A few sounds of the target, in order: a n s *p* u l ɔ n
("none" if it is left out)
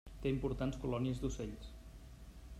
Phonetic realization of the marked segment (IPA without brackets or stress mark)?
k